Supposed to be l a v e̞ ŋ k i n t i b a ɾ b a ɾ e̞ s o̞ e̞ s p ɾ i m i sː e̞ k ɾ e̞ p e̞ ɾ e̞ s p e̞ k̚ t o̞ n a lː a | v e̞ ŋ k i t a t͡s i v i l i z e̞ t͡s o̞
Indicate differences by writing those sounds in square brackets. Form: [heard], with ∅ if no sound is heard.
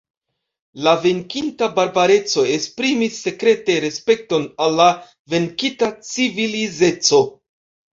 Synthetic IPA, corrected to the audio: l a v e̞ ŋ k i n t [a] b a ɾ b a ɾ e̞ [t͡s] o̞ e̞ s p ɾ i m i sː e̞ k ɾ e̞ [t] e̞ ɾ e̞ s p e̞ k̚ t o̞ n a lː a | v e̞ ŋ k i t a t͡s i v i l i z e̞ t͡s o̞